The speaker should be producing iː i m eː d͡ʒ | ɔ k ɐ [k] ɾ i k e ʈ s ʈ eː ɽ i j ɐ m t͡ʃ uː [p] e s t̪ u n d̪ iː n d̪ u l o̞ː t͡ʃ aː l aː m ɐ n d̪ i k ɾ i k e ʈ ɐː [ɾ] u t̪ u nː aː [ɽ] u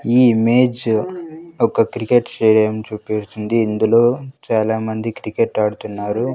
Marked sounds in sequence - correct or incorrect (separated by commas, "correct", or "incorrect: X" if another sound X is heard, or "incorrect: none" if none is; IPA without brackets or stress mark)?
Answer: correct, correct, incorrect: ɽ, incorrect: ɾ